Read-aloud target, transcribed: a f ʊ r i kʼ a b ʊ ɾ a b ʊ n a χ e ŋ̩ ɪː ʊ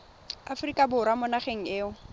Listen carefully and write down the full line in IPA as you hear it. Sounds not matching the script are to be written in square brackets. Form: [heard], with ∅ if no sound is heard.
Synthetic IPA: a f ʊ r i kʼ a b ʊ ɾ a [m] ʊ n a χ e ŋ̩ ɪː ʊ